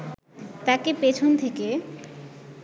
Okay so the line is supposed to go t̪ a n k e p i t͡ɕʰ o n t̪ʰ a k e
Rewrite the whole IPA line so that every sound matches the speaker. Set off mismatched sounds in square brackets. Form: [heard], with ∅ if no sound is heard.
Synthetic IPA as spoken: t̪ a [∅] k e p [e] t͡ɕʰ o n t̪ʰ [e] k e